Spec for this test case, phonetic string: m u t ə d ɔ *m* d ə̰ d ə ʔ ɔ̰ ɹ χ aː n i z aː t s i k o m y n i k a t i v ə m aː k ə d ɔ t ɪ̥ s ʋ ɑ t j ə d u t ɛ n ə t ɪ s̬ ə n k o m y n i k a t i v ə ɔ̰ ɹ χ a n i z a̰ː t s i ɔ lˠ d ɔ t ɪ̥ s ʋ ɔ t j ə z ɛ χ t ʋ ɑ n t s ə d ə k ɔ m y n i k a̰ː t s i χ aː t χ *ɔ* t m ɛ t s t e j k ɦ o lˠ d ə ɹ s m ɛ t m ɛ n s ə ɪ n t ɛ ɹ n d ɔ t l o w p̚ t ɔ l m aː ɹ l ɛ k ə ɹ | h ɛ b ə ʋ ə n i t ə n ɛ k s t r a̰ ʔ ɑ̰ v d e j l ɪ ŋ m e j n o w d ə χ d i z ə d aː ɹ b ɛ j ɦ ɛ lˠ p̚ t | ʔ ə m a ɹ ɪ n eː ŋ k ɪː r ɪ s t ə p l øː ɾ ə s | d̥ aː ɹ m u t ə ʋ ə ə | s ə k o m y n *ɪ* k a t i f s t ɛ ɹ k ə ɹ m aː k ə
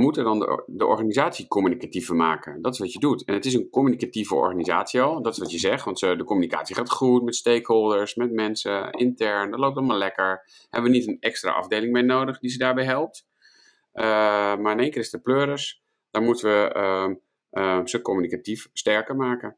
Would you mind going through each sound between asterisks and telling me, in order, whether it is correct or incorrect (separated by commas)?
incorrect, incorrect, incorrect